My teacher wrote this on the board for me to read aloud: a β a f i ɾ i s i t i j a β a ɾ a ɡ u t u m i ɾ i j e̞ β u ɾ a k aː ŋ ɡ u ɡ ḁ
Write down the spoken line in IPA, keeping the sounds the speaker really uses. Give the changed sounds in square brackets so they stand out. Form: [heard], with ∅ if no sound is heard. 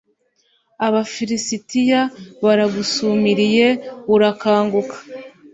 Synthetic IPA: a β a f i ɾ i s i t i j a β a ɾ a ɡ u [s] u m i ɾ i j e̞ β u ɾ a k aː ŋ ɡ u [k] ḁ